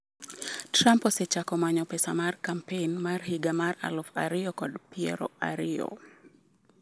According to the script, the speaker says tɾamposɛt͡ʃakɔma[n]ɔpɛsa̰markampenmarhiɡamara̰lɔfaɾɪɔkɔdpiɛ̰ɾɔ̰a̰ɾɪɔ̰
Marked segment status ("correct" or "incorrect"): incorrect